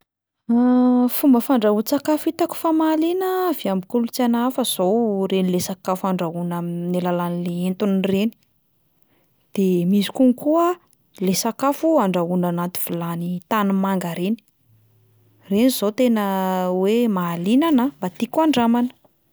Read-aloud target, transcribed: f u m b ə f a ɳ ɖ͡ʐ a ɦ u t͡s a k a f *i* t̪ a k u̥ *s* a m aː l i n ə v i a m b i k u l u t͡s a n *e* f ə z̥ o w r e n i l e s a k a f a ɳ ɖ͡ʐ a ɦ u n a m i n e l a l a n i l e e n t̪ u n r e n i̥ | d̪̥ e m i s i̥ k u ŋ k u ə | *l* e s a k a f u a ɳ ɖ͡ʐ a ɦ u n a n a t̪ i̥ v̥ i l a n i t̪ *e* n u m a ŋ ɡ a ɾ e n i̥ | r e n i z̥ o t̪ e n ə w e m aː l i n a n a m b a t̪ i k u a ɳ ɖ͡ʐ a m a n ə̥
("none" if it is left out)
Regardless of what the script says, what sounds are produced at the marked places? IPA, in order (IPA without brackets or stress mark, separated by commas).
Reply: i, f, a, l, a